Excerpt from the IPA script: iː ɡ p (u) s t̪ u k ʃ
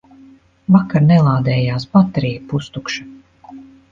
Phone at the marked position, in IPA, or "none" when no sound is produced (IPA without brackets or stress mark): u